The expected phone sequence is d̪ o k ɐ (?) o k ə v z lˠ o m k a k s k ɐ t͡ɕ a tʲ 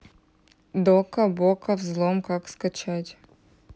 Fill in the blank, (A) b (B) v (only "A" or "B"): A